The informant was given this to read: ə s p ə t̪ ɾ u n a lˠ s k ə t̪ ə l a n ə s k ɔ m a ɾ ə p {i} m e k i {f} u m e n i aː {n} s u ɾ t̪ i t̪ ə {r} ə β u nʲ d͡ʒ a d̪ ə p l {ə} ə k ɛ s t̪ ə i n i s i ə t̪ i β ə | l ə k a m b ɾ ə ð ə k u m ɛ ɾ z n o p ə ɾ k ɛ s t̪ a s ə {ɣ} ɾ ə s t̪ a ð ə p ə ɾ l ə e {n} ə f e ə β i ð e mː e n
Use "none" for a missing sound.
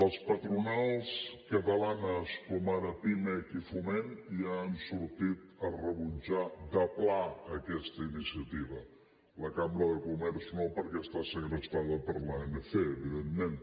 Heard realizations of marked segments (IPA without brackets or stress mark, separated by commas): i, f, n, r, a, ɣ, n